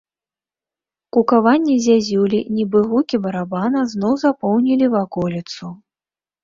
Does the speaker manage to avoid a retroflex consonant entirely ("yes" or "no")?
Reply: yes